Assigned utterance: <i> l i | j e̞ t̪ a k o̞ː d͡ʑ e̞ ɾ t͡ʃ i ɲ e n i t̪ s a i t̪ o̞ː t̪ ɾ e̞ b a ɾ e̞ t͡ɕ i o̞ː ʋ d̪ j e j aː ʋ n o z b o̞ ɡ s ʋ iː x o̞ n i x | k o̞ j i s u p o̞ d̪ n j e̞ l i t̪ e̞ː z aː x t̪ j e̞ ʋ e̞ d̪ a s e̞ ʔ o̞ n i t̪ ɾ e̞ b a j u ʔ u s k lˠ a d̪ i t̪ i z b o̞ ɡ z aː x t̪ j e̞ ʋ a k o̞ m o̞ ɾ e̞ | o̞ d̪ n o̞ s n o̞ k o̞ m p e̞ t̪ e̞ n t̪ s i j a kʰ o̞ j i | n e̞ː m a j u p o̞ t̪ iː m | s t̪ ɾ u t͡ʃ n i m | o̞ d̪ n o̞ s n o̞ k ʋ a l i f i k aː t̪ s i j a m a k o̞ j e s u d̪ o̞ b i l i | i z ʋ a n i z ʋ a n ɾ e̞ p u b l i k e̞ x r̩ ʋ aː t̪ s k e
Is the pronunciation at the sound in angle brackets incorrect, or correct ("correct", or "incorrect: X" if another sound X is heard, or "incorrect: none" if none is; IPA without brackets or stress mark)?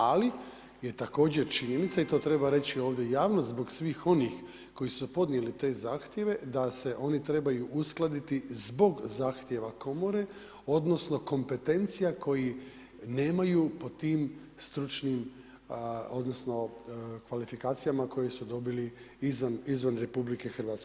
incorrect: a